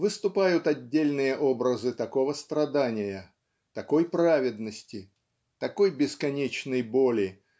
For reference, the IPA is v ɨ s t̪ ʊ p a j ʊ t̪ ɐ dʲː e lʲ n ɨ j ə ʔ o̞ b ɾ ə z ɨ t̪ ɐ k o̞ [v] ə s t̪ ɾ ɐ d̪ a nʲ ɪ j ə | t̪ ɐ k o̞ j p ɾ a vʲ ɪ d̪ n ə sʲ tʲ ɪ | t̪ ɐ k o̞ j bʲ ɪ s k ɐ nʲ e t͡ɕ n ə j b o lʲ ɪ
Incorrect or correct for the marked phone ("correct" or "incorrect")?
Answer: correct